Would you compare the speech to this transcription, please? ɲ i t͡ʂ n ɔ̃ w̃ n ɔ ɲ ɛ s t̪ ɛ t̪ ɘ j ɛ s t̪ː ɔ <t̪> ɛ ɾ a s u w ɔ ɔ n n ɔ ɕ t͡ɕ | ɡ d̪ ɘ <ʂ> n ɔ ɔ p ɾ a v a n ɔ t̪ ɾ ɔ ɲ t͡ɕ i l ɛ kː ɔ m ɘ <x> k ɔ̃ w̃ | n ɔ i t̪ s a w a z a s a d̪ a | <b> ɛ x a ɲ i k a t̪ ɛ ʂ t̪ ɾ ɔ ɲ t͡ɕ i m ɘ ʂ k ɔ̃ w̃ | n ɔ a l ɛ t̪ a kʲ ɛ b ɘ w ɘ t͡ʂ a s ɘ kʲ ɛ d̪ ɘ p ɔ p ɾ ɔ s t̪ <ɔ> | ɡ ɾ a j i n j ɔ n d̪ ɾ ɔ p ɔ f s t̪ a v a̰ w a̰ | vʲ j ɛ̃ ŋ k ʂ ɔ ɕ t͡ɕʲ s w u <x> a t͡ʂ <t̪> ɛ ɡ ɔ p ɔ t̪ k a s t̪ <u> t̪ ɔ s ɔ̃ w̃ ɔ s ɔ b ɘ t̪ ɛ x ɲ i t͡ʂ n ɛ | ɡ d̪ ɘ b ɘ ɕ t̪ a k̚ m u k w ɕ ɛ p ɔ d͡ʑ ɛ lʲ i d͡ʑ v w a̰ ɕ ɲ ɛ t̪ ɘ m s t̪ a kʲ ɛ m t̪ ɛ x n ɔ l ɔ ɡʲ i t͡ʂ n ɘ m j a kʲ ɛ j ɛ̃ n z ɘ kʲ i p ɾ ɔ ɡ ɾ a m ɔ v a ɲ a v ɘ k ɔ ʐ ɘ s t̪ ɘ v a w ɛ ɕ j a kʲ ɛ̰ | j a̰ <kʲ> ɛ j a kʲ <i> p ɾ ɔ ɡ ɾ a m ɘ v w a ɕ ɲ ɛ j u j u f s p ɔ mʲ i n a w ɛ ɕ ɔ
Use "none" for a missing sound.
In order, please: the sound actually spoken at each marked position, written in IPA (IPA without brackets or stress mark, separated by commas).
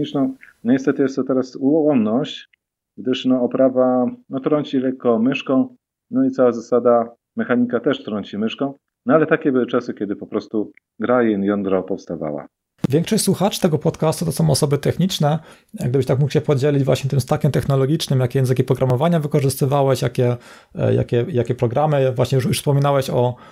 t̪, ʂ, ʂ, m, u, x, t̪, u, kʲ, ɛ